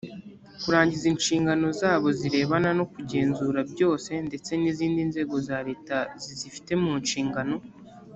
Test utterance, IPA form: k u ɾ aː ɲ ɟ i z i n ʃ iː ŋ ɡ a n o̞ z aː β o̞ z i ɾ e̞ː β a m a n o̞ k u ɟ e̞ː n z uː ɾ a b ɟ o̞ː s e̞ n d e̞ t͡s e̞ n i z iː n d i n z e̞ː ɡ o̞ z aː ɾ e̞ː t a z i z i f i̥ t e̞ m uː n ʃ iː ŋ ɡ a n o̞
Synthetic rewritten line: k u ɾ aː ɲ ɟ i z i n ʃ iː ŋ ɡ a n o̞ z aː β o̞ z i ɾ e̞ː β a n a n o̞ k u ɟ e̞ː n z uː ɾ a b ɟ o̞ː s e̞ n d e̞ t͡s e̞ n i z iː n d i n z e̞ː ɡ o̞ z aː ɾ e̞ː t a z i z i f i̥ t e̞ m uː n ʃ iː ŋ ɡ a n o̞